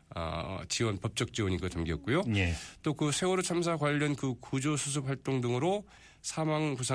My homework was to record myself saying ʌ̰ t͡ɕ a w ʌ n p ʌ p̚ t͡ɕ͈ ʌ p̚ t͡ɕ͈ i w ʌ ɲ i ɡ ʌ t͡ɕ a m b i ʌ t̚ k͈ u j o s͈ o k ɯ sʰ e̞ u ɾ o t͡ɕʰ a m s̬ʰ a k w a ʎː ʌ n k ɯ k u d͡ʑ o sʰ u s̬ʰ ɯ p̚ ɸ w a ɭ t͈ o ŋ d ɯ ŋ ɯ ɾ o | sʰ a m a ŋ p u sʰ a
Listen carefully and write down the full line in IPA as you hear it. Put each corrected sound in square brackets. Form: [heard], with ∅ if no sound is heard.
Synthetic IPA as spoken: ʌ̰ t͡ɕ [i] w ʌ n p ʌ p̚ t͡ɕ͈ ʌ [k̚] t͡ɕ͈ i w ʌ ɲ i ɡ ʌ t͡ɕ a m [ɡ] i ʌ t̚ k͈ u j o [t͈] o k ɯ sʰ e̞ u ɾ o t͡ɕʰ a m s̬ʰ a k w a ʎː ʌ n k ɯ k u d͡ʑ o sʰ u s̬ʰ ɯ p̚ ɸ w a ɭ t͈ o ŋ d ɯ ŋ ɯ ɾ o | sʰ a m a ŋ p u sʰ a